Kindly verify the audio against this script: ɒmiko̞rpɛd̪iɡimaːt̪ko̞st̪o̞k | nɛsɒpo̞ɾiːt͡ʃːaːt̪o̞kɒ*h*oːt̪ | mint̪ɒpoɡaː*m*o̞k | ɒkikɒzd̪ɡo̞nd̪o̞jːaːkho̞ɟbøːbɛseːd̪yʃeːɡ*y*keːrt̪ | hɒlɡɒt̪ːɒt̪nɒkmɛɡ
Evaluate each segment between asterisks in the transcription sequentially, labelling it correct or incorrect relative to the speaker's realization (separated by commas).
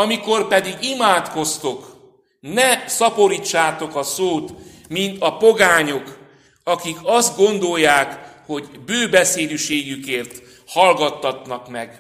incorrect, incorrect, correct